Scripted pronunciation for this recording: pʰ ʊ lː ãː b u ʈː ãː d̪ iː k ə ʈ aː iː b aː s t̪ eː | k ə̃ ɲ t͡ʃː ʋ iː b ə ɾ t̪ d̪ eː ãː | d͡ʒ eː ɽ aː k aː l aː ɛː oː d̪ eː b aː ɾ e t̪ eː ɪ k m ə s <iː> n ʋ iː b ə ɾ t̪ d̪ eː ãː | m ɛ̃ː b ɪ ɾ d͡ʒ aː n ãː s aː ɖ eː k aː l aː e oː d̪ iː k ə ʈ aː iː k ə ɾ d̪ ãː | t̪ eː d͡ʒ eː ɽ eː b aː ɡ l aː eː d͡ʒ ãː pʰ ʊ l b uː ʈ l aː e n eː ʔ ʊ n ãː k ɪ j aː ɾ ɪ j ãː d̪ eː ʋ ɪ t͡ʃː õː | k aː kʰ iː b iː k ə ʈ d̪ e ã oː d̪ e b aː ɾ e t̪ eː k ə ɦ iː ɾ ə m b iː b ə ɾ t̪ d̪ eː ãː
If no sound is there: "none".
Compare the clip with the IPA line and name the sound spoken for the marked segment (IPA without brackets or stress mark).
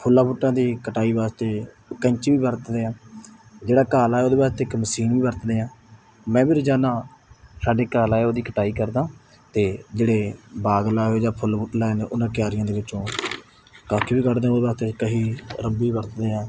iː